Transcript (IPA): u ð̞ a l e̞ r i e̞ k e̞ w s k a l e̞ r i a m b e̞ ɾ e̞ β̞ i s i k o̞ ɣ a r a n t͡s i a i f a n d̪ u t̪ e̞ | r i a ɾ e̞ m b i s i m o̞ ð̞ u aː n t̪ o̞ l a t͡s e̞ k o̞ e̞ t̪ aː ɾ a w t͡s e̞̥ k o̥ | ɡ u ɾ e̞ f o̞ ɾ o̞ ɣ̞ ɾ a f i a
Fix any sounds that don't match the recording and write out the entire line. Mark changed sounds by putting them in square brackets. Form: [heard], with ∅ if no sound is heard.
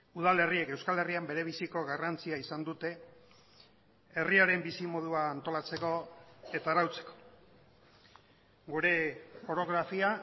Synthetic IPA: u ð̞ a l e̞ r i e̞ k e̞ w s k a l e̞ r i a m b e̞ ɾ e̞ β̞ i s i k o̞ ɣ a r a n t͡s i a i [s] a n d̪ u t̪ e̞ | r i a ɾ e̞ m b i s i m o̞ ð̞ u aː n t̪ o̞ l a t͡s e̞ k o̞ e̞ t̪ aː ɾ a w t͡s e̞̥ k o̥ | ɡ u ɾ e̞ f o̞ ɾ o̞ ɣ̞ ɾ a f i a